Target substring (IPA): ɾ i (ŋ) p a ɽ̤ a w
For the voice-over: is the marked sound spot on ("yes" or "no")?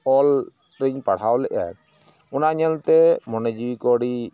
no